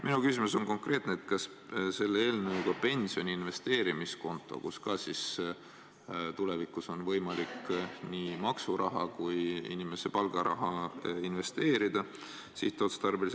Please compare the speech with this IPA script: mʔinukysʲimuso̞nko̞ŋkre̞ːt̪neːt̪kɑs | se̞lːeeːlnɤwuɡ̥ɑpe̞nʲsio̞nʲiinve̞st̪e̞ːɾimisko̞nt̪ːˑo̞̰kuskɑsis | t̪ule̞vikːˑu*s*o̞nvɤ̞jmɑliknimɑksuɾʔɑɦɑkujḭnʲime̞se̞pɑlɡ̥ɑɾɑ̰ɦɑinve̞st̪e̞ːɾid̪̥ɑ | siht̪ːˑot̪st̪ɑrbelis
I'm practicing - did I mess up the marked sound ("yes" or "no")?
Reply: no